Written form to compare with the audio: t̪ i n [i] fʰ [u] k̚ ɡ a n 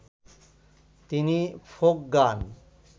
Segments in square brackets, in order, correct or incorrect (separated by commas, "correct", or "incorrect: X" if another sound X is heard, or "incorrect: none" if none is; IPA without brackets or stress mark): correct, incorrect: o